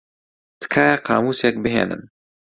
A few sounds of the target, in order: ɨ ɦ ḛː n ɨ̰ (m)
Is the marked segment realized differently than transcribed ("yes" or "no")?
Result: yes